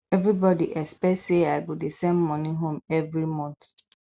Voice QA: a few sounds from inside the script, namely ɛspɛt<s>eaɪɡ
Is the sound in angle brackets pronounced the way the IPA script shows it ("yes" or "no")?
yes